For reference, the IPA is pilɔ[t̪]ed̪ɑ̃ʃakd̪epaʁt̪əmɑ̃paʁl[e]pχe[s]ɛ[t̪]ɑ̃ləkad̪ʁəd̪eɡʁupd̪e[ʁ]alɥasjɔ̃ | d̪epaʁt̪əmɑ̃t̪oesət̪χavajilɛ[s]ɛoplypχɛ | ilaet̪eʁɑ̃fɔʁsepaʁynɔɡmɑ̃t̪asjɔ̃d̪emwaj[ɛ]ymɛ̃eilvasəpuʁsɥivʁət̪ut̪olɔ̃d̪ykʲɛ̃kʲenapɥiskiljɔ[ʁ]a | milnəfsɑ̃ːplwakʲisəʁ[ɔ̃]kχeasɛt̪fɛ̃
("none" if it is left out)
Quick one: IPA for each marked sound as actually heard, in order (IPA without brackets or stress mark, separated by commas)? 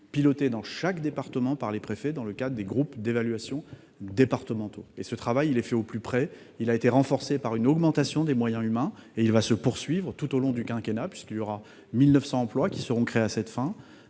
t̪, e, f, d̪, v, f, ɛ̃, ʁ, ɔ̃